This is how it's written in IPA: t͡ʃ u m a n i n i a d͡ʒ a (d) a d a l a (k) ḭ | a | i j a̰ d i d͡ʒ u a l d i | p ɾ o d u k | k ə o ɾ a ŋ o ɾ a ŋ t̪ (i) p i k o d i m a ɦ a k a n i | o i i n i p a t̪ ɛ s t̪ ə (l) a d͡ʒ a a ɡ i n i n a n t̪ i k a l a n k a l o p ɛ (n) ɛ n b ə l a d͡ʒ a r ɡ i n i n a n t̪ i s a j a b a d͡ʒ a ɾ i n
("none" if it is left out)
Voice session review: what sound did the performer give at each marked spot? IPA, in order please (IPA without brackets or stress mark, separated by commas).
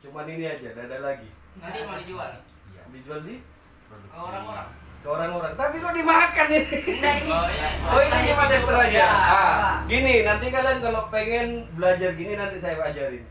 d, ɡ, a, ɾ, ŋ